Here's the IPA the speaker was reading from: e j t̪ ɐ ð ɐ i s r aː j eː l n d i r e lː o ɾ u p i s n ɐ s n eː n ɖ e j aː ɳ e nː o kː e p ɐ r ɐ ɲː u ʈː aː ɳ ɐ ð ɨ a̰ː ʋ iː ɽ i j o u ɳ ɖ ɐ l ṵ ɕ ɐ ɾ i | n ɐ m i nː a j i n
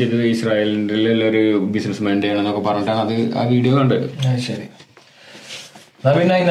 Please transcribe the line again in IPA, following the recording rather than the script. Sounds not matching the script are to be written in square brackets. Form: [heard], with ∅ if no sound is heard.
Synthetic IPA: e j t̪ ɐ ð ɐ i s r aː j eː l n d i [l] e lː o ɾ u [b] i s n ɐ s [m] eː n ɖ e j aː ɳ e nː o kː e p ɐ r ɐ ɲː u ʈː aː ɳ ɐ ð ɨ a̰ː ʋ iː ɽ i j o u ɳ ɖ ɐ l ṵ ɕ ɐ ɾ i | n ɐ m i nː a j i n